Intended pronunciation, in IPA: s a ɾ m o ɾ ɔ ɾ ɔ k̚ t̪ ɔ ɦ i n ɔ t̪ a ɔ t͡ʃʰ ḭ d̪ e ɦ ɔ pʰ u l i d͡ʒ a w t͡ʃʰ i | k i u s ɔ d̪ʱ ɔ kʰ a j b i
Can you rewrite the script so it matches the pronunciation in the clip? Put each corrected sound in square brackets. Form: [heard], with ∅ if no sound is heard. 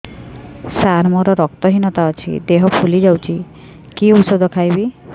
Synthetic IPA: s a ɾ m [ɔ] ɾ ɔ ɾ ɔ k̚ t̪ ɔ ɦ i n ɔ t̪ a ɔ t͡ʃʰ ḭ d̪ e ɦ ɔ pʰ u l i d͡ʒ a w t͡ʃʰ i | k i u s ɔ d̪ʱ ɔ kʰ a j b i